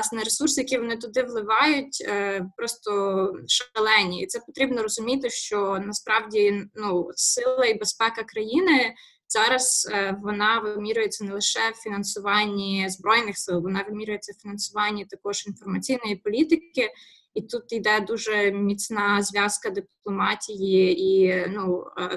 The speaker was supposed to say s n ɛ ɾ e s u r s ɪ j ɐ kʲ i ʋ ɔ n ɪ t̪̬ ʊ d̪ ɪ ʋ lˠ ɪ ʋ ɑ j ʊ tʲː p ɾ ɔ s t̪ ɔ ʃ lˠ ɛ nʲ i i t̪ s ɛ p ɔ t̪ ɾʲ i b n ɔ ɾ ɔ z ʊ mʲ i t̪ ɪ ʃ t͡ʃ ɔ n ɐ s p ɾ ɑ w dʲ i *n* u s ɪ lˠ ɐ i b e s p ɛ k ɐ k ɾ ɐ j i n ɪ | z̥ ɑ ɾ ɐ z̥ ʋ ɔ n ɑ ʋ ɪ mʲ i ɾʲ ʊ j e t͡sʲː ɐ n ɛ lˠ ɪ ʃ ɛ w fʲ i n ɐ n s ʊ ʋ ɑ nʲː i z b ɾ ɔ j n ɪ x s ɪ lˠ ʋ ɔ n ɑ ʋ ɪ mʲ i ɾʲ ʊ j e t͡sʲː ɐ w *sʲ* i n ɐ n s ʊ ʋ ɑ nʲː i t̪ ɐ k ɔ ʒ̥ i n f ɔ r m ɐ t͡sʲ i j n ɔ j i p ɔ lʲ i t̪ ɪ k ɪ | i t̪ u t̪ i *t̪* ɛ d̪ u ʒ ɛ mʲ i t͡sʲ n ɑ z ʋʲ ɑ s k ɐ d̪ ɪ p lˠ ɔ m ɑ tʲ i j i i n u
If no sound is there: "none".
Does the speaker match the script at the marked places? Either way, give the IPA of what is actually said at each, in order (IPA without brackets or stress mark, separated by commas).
n, fʲ, d̪